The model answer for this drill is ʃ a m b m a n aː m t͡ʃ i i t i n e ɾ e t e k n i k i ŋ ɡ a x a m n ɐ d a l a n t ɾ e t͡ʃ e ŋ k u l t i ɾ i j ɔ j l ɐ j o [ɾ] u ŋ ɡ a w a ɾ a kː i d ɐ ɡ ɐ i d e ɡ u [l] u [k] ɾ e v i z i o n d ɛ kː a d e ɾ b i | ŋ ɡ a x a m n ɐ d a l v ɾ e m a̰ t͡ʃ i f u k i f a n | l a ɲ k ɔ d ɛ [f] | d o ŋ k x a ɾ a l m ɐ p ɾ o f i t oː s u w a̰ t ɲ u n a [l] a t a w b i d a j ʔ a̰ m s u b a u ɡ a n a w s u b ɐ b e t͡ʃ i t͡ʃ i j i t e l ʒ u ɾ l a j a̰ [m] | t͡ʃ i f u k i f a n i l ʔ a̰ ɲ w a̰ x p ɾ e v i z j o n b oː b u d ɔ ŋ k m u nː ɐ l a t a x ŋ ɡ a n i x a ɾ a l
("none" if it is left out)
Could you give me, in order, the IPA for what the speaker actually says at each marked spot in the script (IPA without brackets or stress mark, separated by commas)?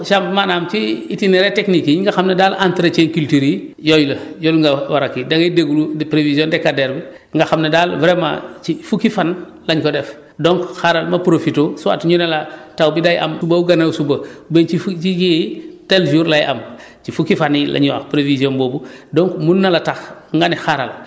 l, l, p, f, l, m